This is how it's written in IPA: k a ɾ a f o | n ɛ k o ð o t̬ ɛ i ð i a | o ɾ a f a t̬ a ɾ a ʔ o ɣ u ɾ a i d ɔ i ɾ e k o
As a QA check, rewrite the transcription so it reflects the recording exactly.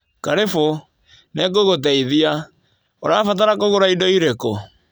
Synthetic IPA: k a ɾ e f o | n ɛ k o ɣ o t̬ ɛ i ð i a | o ɾ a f a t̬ a ɾ a k o ɣ o ɾ a i d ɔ i ɾ e k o